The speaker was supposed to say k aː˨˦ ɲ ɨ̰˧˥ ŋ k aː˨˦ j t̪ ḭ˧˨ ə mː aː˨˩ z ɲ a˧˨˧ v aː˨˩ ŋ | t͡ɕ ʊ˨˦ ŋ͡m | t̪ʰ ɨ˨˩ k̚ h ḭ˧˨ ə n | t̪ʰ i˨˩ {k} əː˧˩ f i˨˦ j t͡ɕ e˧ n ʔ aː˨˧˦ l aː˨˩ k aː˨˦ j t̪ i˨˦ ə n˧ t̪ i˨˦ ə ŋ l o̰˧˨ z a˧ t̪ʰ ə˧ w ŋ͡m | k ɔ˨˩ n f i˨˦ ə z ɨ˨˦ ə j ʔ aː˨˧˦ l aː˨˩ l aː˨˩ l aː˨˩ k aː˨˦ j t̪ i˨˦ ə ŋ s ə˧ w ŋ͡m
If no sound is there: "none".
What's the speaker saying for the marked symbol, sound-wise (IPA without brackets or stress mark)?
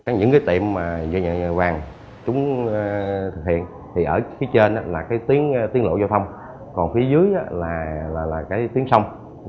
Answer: ʔ